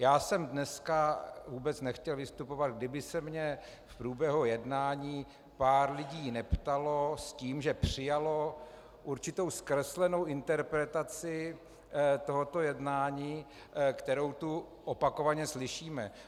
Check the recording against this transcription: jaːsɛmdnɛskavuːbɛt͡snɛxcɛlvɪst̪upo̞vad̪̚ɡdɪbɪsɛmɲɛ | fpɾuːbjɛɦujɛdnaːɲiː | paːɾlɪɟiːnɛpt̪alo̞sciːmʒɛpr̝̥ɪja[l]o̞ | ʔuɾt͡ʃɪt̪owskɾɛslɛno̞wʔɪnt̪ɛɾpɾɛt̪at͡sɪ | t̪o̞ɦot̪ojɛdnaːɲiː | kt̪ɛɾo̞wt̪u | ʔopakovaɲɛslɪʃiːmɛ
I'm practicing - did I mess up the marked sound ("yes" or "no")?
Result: no